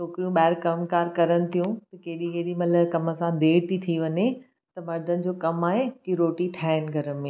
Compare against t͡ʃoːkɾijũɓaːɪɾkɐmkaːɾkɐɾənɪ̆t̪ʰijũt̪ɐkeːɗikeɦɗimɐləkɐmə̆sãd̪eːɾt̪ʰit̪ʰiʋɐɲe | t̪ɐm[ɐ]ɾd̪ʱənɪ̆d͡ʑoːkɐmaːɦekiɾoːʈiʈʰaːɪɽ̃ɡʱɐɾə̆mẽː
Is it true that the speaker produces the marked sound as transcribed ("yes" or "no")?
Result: yes